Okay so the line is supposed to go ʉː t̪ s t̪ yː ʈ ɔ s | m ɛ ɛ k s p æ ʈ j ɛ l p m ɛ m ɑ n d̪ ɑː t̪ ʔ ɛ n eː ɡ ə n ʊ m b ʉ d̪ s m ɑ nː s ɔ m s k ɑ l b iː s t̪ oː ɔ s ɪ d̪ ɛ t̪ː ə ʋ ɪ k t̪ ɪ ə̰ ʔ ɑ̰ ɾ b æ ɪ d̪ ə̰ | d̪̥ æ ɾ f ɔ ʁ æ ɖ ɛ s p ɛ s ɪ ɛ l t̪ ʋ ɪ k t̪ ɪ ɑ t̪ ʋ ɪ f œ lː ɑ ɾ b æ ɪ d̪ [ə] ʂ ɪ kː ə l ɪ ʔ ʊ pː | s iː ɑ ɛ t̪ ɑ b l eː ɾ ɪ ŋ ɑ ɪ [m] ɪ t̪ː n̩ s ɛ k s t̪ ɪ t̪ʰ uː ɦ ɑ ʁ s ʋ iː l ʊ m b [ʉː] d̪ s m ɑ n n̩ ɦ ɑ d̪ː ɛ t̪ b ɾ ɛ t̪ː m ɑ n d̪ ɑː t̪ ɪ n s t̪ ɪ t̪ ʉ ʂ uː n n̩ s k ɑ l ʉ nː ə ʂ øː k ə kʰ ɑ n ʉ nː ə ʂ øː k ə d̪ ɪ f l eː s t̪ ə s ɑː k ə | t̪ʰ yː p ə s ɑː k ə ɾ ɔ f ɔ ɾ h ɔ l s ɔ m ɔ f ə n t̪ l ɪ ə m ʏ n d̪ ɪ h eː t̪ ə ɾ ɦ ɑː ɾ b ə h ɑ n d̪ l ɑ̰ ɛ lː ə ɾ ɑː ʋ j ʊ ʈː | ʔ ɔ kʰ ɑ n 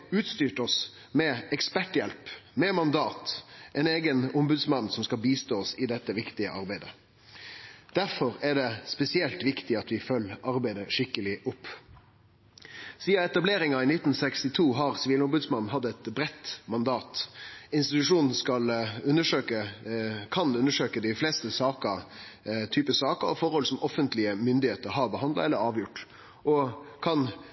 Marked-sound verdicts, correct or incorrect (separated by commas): correct, incorrect, incorrect